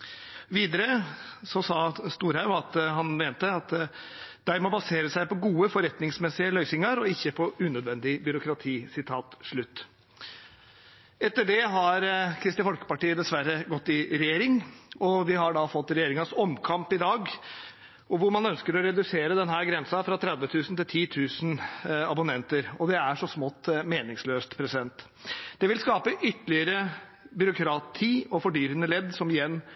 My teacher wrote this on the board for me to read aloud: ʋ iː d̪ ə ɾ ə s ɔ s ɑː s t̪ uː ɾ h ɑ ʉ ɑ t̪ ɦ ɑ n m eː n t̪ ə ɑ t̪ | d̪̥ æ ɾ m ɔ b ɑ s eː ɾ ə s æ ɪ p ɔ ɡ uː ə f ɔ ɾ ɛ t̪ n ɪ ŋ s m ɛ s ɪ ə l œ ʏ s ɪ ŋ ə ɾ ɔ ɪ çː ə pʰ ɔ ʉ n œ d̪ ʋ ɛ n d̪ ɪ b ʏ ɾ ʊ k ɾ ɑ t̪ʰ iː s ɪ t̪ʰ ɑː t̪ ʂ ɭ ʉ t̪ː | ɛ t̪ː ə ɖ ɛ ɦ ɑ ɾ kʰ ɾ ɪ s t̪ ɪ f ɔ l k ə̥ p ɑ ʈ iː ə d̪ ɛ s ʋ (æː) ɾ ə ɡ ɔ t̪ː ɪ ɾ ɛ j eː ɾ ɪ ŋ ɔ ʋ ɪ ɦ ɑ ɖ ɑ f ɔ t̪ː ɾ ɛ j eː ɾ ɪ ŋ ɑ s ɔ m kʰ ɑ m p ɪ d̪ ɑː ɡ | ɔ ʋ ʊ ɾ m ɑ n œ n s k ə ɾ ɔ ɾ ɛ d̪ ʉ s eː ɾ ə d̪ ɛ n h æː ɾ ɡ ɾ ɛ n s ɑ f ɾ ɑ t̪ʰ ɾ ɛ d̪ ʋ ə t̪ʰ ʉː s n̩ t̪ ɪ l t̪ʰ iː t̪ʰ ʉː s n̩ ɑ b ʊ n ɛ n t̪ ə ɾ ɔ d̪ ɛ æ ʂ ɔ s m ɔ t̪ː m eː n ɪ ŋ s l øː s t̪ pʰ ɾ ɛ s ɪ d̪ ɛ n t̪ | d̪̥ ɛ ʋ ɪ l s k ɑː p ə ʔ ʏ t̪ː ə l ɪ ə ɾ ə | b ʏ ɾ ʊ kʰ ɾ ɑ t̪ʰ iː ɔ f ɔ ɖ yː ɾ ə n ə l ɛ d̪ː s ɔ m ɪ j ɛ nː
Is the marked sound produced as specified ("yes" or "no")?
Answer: no